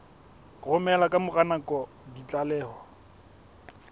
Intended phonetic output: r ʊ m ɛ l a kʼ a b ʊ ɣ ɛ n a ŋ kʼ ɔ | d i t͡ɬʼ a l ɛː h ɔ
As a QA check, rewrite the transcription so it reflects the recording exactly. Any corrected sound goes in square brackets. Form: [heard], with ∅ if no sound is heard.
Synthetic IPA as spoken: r ʊ m ɛ l a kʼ a [m] ʊ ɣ [a] n a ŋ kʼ ɔ | d i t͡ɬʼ a l ɛː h ɔ